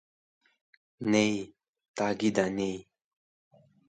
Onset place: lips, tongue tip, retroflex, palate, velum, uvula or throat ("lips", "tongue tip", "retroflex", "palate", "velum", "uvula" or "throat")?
tongue tip